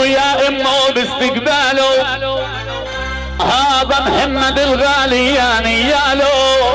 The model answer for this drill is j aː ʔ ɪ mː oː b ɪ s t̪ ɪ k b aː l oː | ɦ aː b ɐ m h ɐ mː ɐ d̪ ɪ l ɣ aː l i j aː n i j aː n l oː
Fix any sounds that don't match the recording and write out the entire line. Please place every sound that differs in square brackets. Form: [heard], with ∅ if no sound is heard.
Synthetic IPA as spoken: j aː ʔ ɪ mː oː b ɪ s t̪ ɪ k b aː l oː | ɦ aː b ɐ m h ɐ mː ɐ d̪ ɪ l ɣ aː l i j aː n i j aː [∅] l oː